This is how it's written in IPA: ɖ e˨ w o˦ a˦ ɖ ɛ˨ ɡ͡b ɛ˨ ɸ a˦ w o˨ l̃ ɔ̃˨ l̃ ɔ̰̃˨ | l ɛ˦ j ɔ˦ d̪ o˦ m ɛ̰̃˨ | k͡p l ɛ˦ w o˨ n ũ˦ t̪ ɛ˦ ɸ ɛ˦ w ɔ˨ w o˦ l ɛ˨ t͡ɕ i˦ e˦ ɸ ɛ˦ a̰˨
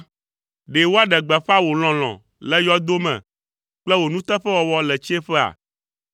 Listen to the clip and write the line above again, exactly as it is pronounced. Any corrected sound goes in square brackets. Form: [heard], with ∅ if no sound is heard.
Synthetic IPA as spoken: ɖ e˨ w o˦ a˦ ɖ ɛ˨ ɡ͡b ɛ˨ ɸ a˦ w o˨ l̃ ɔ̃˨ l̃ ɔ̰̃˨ | l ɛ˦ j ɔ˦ d̪ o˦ m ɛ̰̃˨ | k͡p l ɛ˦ w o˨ n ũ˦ t̪ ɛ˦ ɸ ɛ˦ w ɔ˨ w [ɔ˦] l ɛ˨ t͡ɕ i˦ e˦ ɸ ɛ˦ a̰˨